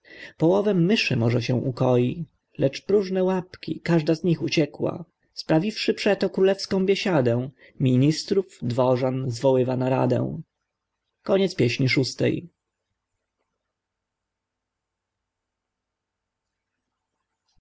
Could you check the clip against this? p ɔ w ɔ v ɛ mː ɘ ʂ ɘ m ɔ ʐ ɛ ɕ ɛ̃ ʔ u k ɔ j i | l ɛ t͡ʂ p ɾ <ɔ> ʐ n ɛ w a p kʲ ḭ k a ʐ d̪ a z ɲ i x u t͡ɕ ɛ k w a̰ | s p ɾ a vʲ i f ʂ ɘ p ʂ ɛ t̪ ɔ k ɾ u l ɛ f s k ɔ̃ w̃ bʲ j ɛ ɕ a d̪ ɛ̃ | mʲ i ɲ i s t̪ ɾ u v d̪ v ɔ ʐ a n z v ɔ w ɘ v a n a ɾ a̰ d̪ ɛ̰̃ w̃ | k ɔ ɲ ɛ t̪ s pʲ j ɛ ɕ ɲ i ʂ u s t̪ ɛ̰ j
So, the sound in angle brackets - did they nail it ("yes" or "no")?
no